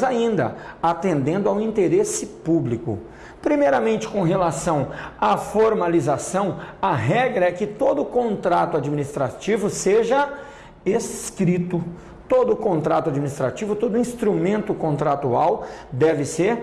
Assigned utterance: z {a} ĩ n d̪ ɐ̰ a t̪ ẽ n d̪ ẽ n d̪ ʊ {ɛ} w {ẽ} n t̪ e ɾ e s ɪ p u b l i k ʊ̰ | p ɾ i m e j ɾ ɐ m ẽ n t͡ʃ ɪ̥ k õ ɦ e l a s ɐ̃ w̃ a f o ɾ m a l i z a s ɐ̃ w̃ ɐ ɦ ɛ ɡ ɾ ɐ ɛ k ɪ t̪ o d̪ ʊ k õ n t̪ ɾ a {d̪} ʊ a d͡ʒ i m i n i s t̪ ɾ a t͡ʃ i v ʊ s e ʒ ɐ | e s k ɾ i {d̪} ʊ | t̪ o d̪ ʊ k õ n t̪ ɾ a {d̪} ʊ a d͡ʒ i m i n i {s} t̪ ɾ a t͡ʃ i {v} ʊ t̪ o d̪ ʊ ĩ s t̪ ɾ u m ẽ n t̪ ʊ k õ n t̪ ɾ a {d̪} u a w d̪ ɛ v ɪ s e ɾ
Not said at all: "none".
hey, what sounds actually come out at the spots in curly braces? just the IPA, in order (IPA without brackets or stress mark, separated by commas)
a, a, ĩ, t̪, t̪, t̪, s, v, t̪